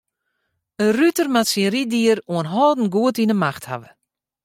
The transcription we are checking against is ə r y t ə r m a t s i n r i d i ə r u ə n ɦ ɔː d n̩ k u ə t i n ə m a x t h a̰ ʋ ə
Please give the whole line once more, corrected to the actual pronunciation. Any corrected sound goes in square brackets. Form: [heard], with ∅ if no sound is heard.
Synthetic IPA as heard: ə r y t ə r m a t s i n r i d i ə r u ə n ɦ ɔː d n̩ [ɡ] u ə t i n ə m a x t h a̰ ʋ ə